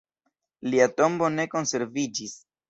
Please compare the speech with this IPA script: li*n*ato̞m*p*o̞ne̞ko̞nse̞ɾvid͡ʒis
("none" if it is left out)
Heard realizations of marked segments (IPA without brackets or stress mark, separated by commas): none, b